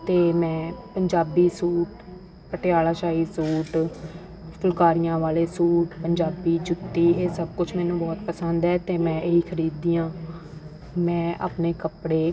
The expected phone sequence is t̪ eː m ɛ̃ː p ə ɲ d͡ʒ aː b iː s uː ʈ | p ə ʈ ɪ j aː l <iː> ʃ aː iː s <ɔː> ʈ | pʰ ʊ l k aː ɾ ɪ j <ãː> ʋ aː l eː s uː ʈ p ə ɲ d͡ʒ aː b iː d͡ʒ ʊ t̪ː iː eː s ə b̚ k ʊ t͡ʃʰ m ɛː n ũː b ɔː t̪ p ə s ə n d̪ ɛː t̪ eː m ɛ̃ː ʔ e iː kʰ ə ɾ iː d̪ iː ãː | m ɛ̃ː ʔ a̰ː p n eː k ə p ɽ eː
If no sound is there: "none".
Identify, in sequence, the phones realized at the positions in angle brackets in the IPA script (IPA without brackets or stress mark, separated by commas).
aː, uː, ãː